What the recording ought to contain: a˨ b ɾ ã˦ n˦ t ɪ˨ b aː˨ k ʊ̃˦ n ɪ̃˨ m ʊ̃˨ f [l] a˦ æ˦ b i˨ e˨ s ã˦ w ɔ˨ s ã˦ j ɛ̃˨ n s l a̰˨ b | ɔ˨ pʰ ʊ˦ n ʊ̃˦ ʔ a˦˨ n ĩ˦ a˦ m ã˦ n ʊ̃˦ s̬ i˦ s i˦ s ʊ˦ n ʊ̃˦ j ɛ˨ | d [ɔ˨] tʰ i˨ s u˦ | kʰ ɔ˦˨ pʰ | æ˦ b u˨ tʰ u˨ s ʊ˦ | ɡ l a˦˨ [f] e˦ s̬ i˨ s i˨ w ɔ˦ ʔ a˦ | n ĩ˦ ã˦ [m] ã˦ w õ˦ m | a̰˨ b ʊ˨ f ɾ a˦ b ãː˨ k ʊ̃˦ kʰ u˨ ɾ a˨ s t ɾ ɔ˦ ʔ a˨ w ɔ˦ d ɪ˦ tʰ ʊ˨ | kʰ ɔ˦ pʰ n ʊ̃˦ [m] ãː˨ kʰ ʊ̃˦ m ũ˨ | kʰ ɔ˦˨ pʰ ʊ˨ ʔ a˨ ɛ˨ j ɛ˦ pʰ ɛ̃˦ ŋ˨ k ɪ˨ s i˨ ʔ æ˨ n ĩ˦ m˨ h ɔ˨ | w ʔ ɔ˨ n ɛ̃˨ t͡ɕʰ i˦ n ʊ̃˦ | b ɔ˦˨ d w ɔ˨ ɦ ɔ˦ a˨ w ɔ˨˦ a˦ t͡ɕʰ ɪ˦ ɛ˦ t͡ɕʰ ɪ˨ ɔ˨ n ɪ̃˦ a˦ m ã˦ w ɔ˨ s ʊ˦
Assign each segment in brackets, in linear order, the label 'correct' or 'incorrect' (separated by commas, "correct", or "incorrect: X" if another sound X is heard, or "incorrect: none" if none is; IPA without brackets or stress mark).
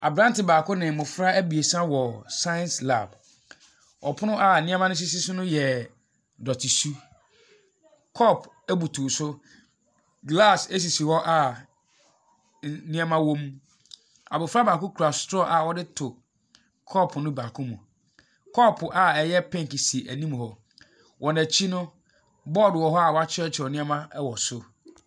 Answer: incorrect: ɾ, correct, incorrect: s, correct, incorrect: b